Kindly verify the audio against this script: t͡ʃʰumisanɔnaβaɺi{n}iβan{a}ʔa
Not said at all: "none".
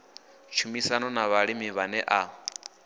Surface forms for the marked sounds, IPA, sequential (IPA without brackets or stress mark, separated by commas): m, ɛ